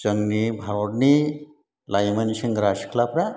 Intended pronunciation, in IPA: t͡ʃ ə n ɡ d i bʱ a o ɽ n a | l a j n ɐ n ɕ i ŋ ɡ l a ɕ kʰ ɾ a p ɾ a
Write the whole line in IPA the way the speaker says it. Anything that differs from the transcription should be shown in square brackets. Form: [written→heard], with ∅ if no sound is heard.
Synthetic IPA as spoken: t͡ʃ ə [n→ŋ] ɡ [d→n] i bʱ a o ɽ n [a→i] | l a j [n→m] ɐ n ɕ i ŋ ɡ [l→ɾ] a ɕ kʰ [ɾ→l] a p ɾ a